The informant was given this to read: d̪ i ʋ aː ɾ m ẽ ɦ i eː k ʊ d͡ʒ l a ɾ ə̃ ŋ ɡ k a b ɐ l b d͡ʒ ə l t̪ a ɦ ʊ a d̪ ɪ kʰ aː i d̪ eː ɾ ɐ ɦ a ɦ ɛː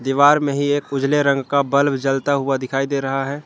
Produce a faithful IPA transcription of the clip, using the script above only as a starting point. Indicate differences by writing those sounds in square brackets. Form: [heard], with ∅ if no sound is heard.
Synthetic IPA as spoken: d̪ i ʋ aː ɾ m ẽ ɦ i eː k ʊ d͡ʒ l [e] ɾ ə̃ ŋ ɡ k a b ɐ l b d͡ʒ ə l t̪ a ɦ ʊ a d̪ ɪ kʰ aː i d̪ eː ɾ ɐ ɦ a ɦ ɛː